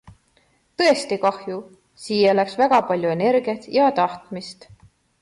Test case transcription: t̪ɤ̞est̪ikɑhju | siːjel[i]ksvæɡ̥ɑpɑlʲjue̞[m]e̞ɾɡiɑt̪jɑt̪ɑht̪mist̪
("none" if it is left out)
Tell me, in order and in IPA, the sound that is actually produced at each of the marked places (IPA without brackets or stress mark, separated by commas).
æ, n